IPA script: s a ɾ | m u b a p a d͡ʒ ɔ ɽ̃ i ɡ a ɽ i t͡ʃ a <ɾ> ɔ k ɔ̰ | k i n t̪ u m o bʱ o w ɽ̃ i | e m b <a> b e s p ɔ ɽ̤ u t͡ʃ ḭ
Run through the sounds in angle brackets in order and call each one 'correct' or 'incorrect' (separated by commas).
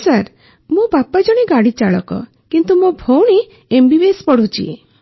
incorrect, incorrect